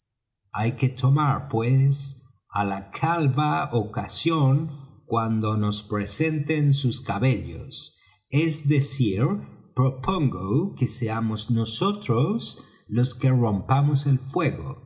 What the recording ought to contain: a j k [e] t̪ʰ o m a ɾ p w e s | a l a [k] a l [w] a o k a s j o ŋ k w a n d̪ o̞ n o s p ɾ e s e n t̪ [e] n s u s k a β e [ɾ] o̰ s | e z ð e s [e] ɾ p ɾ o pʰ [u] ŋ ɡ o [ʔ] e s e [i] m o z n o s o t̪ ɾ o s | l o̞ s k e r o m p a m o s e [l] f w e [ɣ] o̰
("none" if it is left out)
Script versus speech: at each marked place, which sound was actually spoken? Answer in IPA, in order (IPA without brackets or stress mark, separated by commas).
e, kʰ, β, e, ʎ, i, o, k, a, l, ɣ